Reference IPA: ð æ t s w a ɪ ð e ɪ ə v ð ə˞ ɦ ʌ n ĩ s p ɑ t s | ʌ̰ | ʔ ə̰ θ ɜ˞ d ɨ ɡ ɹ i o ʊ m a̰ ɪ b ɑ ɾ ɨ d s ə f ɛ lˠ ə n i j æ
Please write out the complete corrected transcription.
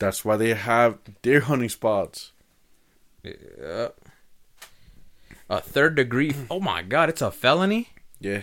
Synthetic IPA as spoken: ð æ t s w a ɪ ð e ɪ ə v ð ə˞ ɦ ʌ n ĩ s p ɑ t s | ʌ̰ | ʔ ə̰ θ ɜ˞ d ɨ ɡ ɹ i o ʊ m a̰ ɪ ɡ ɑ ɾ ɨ t s ə f ɛ lˠ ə n i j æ